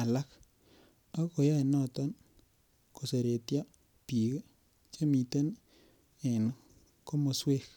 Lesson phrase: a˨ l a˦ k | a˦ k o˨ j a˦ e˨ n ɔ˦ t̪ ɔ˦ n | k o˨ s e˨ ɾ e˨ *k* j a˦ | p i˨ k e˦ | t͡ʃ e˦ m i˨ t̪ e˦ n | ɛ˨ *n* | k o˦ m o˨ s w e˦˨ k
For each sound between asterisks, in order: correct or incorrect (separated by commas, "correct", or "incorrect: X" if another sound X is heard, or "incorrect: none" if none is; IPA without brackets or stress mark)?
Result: incorrect: t, correct